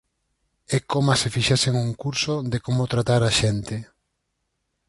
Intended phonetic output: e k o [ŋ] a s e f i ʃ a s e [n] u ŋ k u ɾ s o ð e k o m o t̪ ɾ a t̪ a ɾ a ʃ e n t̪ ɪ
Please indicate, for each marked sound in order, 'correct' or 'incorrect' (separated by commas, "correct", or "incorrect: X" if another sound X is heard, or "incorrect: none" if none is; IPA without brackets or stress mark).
incorrect: m, incorrect: ŋ